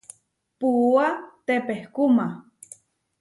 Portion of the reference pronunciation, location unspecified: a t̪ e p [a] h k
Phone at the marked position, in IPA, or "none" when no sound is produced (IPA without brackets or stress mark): e